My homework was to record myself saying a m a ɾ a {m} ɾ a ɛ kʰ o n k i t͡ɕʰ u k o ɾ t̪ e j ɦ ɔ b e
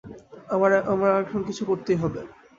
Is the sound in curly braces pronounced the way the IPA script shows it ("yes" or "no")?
yes